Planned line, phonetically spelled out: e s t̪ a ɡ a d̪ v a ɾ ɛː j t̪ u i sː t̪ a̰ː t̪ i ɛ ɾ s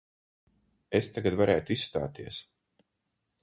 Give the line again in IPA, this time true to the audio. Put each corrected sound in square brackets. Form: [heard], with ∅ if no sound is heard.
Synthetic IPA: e s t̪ a ɡ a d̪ v a ɾ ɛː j t̪ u i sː t̪ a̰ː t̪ i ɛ [∅] s